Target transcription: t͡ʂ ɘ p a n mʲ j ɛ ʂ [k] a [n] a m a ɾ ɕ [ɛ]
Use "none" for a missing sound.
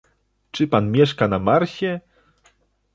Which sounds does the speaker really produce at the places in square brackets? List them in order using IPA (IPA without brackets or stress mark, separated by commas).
k, n, ɛ